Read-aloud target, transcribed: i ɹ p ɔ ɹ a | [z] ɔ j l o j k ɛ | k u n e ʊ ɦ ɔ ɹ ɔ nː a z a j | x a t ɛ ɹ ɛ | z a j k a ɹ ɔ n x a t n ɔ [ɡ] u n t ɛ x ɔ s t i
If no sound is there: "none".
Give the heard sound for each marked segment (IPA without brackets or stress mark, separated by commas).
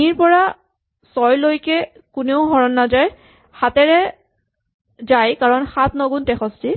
s, ɡ